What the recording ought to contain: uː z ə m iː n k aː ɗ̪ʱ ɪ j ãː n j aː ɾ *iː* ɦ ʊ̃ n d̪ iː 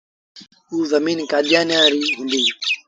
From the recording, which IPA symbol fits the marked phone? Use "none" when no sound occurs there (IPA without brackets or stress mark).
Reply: iː